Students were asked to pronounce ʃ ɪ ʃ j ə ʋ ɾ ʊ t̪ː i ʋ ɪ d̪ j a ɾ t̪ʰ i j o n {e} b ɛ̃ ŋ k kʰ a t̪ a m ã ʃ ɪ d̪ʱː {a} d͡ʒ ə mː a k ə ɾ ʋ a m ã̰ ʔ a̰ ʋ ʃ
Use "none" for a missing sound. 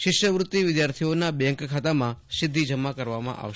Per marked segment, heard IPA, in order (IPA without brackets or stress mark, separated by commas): a, i